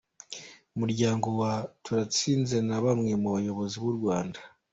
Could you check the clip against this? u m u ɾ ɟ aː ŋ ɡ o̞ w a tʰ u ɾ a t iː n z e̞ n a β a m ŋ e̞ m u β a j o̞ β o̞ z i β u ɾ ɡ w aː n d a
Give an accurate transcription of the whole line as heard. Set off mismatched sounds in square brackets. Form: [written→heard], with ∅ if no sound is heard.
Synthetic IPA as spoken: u m u ɾ ɟ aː ŋ ɡ o̞ w a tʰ u ɾ a [t→t͡s] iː n z e̞ n a β a m ŋ e̞ m u β a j o̞ β o̞ z i β u ɾ ɡ w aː n d a